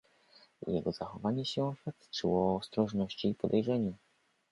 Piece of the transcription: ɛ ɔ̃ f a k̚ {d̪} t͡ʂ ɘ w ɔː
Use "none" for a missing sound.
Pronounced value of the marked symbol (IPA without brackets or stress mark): t̪